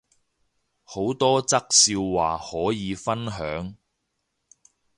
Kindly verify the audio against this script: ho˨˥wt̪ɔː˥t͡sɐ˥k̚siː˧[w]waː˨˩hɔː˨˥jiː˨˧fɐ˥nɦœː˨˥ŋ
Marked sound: correct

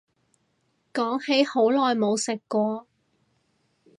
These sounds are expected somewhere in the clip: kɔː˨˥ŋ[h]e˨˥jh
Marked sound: correct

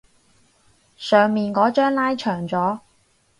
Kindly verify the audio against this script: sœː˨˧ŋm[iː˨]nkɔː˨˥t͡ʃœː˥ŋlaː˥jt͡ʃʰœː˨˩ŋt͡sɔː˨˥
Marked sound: correct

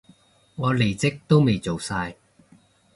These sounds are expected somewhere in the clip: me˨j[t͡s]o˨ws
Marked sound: correct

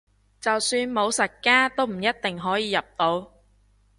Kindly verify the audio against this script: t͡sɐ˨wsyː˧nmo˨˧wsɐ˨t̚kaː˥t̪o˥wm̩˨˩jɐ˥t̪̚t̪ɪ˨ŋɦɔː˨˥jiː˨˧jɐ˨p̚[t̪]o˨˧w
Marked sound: correct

